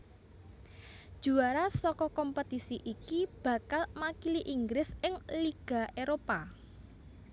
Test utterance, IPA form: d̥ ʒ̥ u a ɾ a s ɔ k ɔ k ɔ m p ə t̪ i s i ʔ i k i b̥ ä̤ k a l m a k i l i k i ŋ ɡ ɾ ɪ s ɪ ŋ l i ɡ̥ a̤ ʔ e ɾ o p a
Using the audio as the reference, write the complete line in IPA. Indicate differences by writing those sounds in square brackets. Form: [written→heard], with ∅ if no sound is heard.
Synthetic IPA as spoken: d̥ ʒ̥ u a ɾ a s ɔ k ɔ k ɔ m p ə t̪ i s i ʔ i k i b̥ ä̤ k a l m a k i l i [k→ʔ] i ŋ ɡ ɾ ɪ s ɪ ŋ l i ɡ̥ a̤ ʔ e ɾ o p a